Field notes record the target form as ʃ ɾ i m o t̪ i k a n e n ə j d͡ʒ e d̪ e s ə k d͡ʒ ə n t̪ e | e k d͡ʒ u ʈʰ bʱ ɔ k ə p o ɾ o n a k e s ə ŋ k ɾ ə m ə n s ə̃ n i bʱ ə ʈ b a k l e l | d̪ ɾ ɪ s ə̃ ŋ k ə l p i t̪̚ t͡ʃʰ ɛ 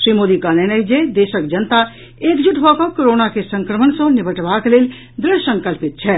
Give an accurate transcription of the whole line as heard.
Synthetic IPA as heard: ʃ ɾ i m o d̪ i k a n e n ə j d͡ʒ e d̪ e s ə k d͡ʒ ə n t̪ a | e k d͡ʒ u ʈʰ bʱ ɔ k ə k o ɾ o n a k e s ə ŋ k ɾ ə m ə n s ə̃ n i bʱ ə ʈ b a k l e l | d̪ ɾ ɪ s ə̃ ŋ k ə l p i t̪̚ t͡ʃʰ ɛ